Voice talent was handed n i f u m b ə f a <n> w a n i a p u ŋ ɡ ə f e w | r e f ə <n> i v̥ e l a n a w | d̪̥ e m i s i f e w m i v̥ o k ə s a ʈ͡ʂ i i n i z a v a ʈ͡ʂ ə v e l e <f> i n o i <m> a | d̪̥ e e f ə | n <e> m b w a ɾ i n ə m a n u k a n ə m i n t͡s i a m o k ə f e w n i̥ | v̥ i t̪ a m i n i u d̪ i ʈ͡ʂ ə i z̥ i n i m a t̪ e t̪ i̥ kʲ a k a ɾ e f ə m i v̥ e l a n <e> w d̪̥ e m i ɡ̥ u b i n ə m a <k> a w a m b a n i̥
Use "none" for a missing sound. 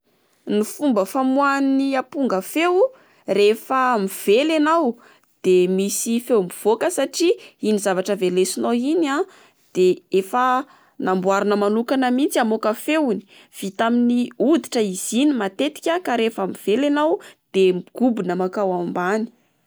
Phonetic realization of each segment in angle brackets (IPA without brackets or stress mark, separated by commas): m, m, s, n, a, a, k